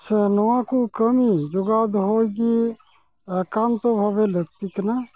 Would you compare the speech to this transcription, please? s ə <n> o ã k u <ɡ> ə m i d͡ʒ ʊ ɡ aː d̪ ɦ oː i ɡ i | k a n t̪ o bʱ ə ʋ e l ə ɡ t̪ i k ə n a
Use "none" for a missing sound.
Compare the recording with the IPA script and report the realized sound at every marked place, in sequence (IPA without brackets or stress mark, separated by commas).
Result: n, k